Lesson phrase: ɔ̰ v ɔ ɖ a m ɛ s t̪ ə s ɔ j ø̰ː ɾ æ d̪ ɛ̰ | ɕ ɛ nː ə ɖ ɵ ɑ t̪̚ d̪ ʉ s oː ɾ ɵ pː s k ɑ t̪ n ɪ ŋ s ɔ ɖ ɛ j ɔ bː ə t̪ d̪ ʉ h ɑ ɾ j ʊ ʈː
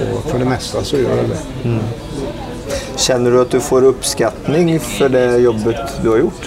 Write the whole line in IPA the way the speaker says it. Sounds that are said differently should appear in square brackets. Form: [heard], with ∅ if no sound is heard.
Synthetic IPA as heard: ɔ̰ [f] ɔ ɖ [ɛ] m ɛ s t̪ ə s ɔ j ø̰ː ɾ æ d̪ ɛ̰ | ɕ ɛ nː ə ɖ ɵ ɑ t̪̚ d̪ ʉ [f] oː ɾ ɵ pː s k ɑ t̪ n ɪ ŋ [f] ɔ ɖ ɛ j ɔ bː ə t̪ d̪ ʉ h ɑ ɾ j ʊ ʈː